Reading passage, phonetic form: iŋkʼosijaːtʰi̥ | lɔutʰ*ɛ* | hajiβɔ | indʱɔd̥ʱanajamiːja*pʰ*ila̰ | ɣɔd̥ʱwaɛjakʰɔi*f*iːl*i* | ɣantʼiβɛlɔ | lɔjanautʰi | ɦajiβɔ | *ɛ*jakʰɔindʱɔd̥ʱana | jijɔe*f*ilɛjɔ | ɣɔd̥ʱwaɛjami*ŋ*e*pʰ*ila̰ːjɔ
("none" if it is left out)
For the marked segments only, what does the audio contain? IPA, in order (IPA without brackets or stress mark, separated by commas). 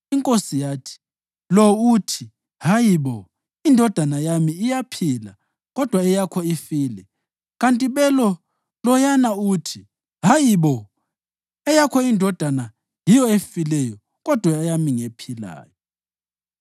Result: i, pʰ, f, ɛ, ɛ, f, ŋ, pʰ